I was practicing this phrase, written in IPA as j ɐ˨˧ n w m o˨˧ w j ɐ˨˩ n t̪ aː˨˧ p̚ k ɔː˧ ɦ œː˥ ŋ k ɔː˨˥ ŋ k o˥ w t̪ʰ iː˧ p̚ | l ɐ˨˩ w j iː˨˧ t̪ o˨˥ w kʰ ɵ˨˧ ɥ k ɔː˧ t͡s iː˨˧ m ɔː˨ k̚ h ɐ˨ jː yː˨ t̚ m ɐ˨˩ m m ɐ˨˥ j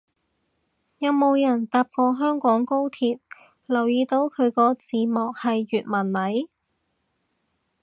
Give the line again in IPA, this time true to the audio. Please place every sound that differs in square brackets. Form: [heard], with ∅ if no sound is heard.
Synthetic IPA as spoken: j ɐ˨˧ [∅] w m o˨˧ w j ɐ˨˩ n t̪ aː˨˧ p̚ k ɔː˧ ɦ œː˥ ŋ k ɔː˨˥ ŋ k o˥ w t̪ʰ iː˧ [t̚] | l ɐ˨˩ w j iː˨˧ t̪ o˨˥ w kʰ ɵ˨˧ ɥ k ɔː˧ t͡s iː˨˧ m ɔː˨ k̚ h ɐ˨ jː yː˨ t̚ m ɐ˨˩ [n] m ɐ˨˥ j